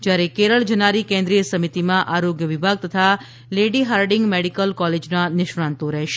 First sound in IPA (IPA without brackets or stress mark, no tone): d͡ʒ